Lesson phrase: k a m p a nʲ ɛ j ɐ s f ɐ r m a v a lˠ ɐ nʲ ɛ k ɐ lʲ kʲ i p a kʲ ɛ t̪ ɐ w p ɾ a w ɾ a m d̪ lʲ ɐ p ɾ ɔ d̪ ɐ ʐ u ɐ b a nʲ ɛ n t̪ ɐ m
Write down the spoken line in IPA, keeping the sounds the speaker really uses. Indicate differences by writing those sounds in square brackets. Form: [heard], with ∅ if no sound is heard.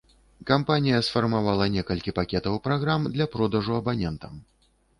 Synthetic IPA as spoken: k a m p a nʲ [i] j ɐ s f ɐ r m a v a lˠ ɐ nʲ ɛ k ɐ lʲ kʲ i p a kʲ ɛ t̪ ɐ w p ɾ a [ɣ] ɾ a m d̪ lʲ ɐ p ɾ ɔ d̪ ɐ ʐ u ɐ b a nʲ ɛ n t̪ ɐ m